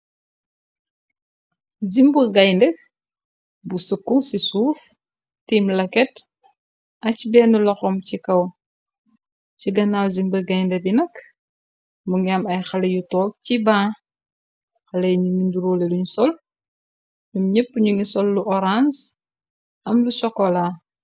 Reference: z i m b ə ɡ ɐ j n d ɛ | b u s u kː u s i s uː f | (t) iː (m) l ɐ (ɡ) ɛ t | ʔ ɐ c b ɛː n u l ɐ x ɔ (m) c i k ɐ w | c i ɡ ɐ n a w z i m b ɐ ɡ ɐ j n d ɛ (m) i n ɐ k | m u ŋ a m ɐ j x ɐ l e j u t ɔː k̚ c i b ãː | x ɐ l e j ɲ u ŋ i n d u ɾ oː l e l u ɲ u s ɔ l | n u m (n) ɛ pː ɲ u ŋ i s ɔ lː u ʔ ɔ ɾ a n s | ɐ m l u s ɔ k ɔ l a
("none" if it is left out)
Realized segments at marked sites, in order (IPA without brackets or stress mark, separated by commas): t, m, k, m, b, ɲ